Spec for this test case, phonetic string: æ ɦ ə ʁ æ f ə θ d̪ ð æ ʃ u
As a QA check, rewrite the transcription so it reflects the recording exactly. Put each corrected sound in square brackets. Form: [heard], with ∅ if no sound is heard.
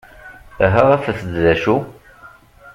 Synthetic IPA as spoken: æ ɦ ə ʁ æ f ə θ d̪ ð æ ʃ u